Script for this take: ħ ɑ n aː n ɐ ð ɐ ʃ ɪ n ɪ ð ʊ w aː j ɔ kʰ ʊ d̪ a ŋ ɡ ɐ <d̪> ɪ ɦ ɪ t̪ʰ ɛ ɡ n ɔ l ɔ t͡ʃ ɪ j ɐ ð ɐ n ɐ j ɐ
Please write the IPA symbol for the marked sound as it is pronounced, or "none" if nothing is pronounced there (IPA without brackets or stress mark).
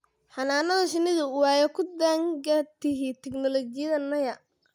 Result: t̪